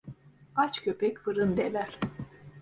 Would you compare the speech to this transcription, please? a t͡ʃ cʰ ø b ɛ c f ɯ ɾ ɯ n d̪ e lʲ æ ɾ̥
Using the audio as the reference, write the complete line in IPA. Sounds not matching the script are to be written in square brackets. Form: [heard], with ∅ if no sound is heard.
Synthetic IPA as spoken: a t͡ʃ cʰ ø [p] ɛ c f ɯ ɾ ɯ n d̪ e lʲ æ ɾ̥